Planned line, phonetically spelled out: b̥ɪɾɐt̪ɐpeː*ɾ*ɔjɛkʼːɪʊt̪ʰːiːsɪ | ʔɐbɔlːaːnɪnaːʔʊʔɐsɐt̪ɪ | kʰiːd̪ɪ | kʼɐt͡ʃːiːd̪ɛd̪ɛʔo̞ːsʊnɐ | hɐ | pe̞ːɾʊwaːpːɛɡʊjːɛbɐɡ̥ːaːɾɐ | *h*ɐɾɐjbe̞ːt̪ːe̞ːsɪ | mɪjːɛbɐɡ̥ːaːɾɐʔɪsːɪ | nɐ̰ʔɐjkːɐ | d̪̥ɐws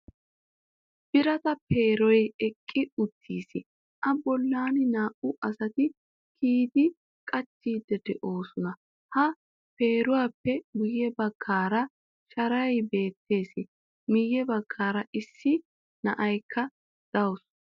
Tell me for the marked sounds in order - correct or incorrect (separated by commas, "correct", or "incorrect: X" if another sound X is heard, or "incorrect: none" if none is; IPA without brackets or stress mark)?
correct, incorrect: ʃ